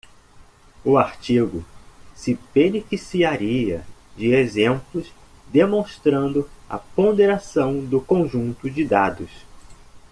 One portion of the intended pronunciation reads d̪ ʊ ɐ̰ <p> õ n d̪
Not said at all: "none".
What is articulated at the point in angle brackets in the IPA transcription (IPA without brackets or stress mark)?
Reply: p